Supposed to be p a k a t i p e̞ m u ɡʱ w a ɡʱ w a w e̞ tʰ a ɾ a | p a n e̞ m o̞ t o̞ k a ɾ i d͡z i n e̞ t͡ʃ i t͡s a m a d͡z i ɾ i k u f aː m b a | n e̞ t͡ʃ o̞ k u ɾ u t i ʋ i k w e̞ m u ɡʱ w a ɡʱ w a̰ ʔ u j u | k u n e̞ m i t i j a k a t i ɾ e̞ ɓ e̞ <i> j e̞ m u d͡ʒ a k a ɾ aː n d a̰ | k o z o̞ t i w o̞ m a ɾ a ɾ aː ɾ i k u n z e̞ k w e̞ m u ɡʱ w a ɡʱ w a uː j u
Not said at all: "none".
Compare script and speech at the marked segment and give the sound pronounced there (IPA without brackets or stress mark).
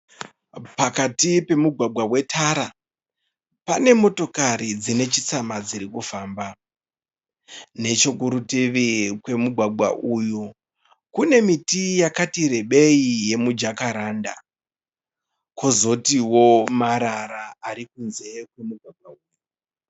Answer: i